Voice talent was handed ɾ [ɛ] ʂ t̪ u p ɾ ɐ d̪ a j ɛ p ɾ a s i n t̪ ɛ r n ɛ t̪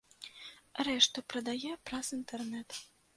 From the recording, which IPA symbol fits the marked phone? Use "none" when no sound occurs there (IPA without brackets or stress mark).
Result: ɛ